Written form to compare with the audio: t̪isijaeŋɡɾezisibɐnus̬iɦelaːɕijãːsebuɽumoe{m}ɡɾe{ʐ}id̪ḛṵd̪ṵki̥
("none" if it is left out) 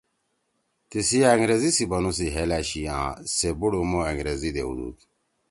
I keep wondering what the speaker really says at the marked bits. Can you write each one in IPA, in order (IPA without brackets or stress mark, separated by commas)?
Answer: ŋ, z